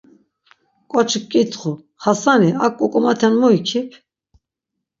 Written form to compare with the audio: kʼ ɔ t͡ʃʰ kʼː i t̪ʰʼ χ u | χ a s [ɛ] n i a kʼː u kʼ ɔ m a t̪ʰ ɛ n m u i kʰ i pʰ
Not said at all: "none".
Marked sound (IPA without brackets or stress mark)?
a